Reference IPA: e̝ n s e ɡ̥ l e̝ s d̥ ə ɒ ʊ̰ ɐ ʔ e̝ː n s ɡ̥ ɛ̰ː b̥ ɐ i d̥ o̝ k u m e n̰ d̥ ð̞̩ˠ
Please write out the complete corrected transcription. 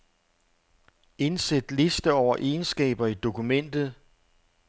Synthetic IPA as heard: e̝ n s e d̥ l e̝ s d̥ ə ɒ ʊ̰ ɐ ʔ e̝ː n s ɡ̥ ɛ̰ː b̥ ɐ i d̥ o̝ k u m e n̰ d̥ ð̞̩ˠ